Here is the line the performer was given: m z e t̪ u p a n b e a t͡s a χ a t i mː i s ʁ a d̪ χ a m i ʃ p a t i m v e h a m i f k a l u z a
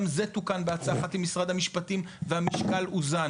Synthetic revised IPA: m z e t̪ u k a n b e a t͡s a χ a t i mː i s ʁ a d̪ h a m i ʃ p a t i m v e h a m i ʃ k a l u z a

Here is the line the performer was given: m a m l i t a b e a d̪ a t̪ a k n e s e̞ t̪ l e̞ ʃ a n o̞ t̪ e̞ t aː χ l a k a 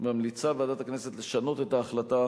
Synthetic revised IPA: m a m l i t͡s a b e a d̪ a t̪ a k n e s e̞ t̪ l e̞ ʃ a n o̞ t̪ e̞ t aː χ l a t a

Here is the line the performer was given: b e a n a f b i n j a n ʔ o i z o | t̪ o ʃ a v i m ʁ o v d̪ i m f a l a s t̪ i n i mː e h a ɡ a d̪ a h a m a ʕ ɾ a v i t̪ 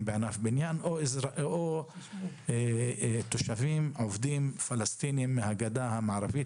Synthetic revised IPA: b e a n a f b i n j a n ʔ o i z o | t̪ o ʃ a v i m ʕ o v d̪ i m f a l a s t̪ i n i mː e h a ɡ a d̪ a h a m a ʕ ɾ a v i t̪

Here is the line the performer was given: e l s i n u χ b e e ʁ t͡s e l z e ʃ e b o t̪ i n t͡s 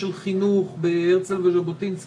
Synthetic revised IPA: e l χ i n u χ b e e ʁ t͡s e l v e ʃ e b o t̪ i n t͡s

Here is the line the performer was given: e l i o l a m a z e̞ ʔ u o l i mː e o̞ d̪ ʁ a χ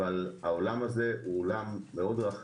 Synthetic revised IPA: a l a o l a m a z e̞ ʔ u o l a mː e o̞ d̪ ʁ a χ

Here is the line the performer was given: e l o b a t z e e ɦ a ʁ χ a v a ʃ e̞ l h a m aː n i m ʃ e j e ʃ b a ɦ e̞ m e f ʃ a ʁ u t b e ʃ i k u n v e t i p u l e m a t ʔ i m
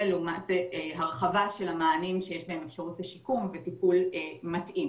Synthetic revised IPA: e l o m a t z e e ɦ a ʁ χ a v a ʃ e̞ l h a m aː n i m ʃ e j e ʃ b a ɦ e̞ m e f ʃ a ʁ u t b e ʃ i k u m v e t i p u l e m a t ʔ i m

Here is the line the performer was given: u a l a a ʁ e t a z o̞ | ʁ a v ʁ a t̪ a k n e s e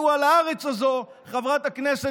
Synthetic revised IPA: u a l a a ʁ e t͡s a z o̞ | χ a v ʁ a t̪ a k n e s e

